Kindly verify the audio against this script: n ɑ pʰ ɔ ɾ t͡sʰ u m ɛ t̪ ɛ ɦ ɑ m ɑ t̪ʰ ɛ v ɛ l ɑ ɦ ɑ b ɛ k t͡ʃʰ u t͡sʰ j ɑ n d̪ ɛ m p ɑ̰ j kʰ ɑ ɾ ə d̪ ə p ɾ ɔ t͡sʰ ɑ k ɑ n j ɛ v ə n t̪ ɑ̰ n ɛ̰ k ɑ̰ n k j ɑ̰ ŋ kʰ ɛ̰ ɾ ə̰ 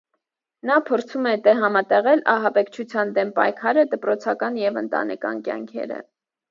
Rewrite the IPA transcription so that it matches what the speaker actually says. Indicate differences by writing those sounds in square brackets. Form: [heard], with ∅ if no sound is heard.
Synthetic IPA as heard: n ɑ pʰ ɔ ɾ t͡sʰ u m ɛ t̪ ɛ ɦ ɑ m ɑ [t̪] ɛ [ʁ] ɛ l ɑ ɦ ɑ b ɛ k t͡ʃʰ u t͡sʰ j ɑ n d̪ ɛ m p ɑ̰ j kʰ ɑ ɾ ə d̪ ə p ɾ ɔ t͡sʰ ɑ k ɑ n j ɛ v ə n t̪ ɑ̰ n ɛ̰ k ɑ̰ n k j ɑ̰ ŋ kʰ ɛ̰ ɾ ə̰